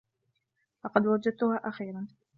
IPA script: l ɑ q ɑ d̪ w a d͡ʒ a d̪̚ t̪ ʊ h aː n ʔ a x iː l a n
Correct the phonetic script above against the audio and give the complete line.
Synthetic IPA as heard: l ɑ q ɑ d̪ w a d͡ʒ a d̪̚ t̪ ʊ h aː ʔ a x iː ɾ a n